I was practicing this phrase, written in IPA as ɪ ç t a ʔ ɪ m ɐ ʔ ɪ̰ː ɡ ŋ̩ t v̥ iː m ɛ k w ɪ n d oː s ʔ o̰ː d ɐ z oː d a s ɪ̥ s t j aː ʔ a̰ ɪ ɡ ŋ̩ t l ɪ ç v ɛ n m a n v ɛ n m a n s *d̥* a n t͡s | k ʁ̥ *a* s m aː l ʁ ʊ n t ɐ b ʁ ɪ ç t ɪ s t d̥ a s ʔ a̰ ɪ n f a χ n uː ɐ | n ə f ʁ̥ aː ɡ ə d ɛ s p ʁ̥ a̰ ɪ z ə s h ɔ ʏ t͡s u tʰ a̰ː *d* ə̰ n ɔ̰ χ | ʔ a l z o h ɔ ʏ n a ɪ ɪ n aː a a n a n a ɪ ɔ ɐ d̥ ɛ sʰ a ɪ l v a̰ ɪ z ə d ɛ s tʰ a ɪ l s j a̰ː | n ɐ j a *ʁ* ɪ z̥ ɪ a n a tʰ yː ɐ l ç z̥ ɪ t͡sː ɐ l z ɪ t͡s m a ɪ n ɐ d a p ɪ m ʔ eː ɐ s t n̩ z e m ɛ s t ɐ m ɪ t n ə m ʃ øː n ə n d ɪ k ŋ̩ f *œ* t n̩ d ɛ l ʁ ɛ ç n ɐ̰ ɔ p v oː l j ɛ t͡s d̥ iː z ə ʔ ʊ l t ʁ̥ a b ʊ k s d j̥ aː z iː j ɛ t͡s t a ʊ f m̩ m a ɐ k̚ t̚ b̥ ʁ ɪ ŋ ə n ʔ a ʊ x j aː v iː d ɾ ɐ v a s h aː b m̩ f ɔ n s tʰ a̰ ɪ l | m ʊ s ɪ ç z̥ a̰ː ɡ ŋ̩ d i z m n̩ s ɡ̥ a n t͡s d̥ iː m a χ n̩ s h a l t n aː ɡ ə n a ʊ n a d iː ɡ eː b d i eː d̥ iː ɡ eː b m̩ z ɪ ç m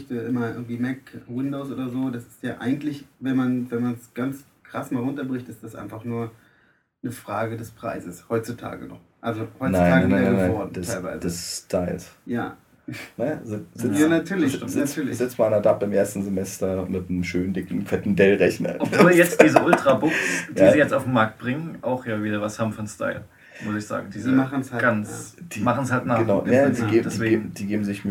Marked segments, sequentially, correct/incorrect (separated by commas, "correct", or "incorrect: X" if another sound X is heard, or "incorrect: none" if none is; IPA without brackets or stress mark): incorrect: ɡ̥, correct, incorrect: ɡ, incorrect: z, incorrect: ɛ